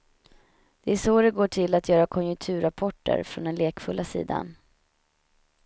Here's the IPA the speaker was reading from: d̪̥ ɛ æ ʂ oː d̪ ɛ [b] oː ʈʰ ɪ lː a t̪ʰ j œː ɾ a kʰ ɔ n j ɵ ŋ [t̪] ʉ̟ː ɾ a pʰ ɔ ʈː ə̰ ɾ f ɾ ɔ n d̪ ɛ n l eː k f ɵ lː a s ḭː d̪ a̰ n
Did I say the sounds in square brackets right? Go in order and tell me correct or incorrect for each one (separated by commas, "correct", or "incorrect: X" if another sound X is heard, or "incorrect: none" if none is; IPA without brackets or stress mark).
incorrect: ɡ, incorrect: t̪ʰ